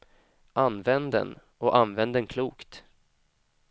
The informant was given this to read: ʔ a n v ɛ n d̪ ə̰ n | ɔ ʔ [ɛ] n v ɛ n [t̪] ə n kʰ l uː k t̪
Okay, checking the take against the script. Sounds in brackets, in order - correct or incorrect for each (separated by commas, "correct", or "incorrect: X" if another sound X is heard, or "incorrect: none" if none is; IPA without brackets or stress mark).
incorrect: a, incorrect: d̪